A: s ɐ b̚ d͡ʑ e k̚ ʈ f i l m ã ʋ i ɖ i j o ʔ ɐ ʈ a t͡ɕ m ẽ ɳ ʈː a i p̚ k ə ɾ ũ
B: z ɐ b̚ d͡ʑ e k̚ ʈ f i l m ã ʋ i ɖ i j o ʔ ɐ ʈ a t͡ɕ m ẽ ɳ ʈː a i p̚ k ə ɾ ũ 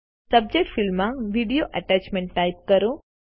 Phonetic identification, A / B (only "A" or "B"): A